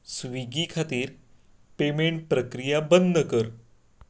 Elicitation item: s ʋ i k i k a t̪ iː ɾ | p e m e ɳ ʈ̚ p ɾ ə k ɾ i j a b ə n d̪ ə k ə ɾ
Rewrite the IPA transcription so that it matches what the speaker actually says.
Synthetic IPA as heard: s ʋ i ɡ i kʰ a t̪ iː ɾ | p e m e ɳ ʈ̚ p ɾ ə k ɾ i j a b ə n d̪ ə k ə ɾ